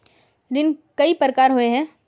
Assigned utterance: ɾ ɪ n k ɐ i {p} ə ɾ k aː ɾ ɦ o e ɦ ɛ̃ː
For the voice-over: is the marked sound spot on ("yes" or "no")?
yes